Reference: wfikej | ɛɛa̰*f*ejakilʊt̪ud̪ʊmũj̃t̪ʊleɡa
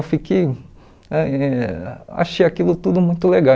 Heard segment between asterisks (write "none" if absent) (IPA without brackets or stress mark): ʃ